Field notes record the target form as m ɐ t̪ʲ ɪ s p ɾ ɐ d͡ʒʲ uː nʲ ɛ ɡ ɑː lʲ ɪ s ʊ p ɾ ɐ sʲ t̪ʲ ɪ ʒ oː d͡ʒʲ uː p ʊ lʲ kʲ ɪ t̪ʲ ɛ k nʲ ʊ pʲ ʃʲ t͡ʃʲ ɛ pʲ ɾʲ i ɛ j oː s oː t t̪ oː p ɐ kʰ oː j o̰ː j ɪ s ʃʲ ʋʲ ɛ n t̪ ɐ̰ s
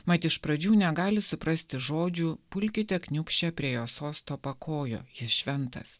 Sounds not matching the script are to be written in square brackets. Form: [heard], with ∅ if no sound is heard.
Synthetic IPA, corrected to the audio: m ɐ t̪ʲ ɪ [ʃ] p ɾ ɐ d͡ʒʲ uː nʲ ɛ ɡ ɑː lʲ ɪ s ʊ p ɾ ɐ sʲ t̪ʲ ɪ ʒ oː d͡ʒʲ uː p ʊ lʲ kʲ ɪ t̪ʲ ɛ k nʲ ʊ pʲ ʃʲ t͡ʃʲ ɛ pʲ ɾʲ i ɛ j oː s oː [s] t̪ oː p ɐ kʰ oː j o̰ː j ɪ s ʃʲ ʋʲ ɛ n t̪ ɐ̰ s